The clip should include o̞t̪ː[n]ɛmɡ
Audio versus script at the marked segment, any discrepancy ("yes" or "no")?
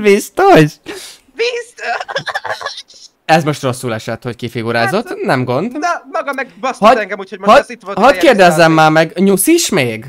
no